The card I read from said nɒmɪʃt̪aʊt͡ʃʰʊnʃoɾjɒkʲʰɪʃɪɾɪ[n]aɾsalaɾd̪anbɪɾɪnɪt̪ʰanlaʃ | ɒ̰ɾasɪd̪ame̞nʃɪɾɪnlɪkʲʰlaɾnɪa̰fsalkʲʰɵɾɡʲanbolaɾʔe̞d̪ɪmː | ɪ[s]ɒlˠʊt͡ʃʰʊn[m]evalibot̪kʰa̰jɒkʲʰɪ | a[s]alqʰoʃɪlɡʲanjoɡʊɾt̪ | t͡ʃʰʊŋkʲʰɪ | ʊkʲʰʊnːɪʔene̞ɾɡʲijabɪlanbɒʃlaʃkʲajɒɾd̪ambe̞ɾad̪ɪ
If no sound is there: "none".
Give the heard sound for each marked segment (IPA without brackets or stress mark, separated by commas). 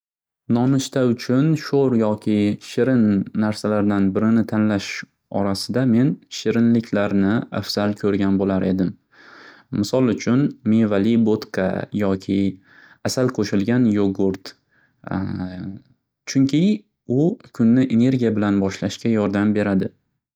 nː, s, m, s